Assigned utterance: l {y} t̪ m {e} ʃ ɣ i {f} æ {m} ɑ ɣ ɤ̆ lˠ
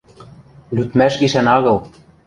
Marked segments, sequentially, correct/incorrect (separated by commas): correct, incorrect, incorrect, incorrect